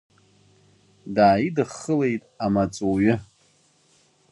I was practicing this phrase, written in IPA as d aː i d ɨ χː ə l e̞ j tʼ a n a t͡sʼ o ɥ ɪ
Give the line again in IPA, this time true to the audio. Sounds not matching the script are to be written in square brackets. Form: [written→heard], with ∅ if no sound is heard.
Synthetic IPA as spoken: d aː i d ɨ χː ə l e̞ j tʼ a [n→m] a t͡sʼ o ɥ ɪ